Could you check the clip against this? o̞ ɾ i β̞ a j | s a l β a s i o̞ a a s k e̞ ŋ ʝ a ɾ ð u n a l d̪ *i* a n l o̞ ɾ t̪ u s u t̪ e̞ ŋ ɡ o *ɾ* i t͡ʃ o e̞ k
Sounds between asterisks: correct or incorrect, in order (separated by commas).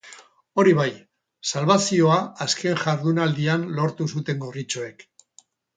correct, incorrect